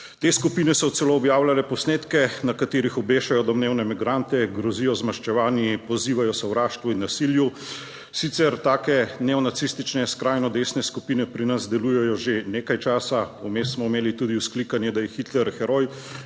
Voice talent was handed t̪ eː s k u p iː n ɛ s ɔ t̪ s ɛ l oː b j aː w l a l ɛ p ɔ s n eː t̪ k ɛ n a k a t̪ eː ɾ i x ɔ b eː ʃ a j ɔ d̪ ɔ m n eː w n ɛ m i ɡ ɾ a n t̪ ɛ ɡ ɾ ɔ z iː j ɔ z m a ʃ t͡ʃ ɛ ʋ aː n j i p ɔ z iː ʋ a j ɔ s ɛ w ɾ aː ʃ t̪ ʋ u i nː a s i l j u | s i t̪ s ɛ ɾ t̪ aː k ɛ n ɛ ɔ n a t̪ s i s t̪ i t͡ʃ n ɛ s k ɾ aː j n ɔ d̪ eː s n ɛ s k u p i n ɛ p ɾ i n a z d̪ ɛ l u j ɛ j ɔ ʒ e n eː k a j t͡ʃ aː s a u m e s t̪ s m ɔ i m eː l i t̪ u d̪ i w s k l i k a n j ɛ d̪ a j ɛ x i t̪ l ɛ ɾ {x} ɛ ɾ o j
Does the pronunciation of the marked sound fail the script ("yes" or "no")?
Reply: no